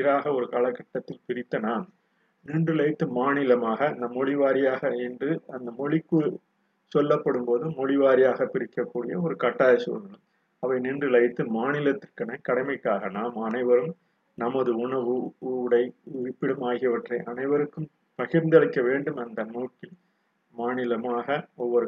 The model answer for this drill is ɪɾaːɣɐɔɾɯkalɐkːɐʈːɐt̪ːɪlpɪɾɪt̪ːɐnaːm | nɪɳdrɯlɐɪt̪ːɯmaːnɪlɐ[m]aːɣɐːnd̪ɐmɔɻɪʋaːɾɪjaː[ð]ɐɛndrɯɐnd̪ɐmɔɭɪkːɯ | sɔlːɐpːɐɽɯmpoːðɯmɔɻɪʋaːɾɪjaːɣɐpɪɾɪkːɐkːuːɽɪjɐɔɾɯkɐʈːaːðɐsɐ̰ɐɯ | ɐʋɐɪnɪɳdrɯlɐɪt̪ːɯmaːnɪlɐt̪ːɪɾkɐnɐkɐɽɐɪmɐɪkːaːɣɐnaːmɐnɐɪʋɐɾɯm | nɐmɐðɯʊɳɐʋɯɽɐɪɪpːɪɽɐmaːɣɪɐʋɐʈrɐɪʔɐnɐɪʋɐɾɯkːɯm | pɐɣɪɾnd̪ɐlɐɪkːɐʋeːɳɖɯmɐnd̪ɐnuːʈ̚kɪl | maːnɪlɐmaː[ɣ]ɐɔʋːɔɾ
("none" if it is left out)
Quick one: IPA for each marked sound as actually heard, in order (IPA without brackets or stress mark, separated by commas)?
m, ɣ, ɣ